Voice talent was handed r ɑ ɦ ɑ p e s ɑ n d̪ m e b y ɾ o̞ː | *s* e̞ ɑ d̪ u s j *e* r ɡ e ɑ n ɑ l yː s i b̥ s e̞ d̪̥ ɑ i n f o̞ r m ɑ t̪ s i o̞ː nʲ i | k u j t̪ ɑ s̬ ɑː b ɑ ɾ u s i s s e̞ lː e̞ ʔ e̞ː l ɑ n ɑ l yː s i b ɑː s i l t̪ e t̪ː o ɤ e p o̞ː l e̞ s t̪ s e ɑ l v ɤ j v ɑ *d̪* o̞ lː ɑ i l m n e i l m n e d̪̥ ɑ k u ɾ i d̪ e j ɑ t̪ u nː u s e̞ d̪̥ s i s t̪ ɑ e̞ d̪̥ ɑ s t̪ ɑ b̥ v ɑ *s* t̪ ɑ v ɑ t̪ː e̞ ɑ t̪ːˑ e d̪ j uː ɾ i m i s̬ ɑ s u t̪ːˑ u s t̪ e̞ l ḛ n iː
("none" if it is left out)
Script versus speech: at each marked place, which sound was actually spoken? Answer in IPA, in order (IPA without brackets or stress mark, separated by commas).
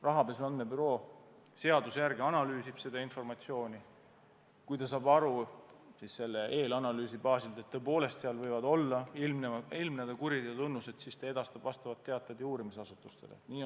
s, æ, d̪, s